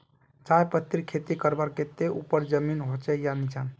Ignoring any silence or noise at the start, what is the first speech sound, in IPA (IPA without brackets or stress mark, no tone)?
t͡ʃ